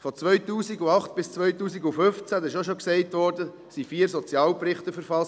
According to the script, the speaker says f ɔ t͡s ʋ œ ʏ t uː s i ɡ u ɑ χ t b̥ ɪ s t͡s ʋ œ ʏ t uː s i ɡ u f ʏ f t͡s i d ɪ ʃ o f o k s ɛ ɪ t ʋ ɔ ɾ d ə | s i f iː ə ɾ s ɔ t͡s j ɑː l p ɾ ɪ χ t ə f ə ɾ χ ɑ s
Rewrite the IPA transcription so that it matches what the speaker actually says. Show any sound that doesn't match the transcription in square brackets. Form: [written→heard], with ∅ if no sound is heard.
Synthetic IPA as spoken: f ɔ t͡s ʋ œ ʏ t uː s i ɡ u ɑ χ t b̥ ɪ s t͡s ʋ œ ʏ t uː s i ɡ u f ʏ f t͡s [i→æ] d ɪ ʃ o [f→ʃ] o k s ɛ ɪ t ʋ ɔ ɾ d ə | s i f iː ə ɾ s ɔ t͡s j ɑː l p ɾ ɪ χ t ə f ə ɾ [χ→f] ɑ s

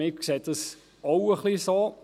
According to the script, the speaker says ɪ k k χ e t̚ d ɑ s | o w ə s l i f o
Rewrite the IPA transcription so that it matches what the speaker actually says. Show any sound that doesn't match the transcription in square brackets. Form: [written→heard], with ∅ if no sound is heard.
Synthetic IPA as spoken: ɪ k k [χ→s] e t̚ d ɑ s | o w ə [s→χ] l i [f→s] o

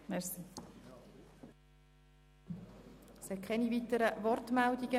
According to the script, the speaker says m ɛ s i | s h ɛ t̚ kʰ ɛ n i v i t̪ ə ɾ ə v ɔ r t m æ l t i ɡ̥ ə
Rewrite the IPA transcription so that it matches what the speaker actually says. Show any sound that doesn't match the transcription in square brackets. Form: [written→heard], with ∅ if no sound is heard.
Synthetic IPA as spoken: m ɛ s i | s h ɛ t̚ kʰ ɛ n i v i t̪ ə ɾ ə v ɔ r t m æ l [t→d] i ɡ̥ ə

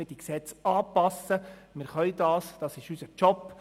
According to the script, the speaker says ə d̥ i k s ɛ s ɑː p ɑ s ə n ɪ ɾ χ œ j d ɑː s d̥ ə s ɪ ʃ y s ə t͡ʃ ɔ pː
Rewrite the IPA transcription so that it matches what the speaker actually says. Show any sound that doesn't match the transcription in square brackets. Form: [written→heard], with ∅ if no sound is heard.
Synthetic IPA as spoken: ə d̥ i k s ɛ [s→t͡s] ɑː p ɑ s ə [n→m] ɪ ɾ χ œ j d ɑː s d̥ [ə→ɑ] s ɪ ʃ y s ə t͡ʃ ɔ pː

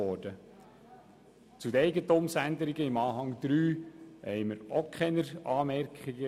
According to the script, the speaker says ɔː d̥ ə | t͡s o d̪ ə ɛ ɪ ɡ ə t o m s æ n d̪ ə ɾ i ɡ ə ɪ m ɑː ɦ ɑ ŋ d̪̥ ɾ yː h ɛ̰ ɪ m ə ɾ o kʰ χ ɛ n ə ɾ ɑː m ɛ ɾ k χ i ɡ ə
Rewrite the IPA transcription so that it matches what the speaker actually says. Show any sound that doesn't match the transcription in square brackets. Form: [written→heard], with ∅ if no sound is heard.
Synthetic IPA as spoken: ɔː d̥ ə | t͡s [o→u] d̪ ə ɛ ɪ ɡ ə t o m s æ n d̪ ə ɾ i ɡ ə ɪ m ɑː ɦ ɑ ŋ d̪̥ ɾ yː h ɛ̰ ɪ m ə ɾ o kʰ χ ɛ n ə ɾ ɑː m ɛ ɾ k χ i ɡ ə

